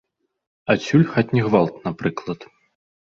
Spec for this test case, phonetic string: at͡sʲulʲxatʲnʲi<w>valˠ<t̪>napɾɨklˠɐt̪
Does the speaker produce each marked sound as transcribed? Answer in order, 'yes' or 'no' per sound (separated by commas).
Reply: no, yes